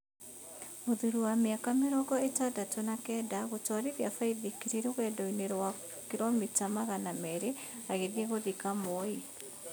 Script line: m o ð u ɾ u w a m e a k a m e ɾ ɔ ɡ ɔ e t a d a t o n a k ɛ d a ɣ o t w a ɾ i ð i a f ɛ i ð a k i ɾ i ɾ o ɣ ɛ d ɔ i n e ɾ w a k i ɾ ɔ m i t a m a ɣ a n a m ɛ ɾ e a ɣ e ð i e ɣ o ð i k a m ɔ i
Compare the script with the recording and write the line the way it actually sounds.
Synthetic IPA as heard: m o ð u ɾ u w a m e a k a m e ɾ ɔ ɡ ɔ e t a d a t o n a k ɛ d a ɣ o t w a ɾ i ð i a f a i ð i k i ɾ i ɾ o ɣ ɛ d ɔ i n e ɾ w a k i ɾ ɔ m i t a m a ɣ a n a m ɛ ɾ e a ɣ e ð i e ɣ o ð i k a m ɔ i